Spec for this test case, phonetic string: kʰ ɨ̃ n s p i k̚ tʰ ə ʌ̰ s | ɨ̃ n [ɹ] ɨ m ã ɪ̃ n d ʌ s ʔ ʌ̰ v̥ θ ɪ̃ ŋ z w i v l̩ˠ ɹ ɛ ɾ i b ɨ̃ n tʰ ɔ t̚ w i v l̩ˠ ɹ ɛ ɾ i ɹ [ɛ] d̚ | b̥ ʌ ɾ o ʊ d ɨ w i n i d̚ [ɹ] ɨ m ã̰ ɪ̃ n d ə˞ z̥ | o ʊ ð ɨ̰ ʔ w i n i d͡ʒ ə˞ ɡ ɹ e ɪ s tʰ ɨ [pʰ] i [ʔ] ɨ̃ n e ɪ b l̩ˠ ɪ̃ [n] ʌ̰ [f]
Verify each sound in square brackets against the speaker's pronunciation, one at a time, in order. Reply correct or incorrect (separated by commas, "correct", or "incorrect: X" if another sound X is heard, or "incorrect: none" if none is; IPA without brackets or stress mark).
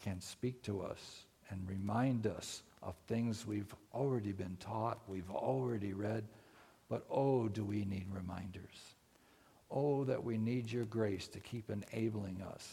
correct, correct, correct, incorrect: kʰ, incorrect: p, incorrect: ŋ, incorrect: s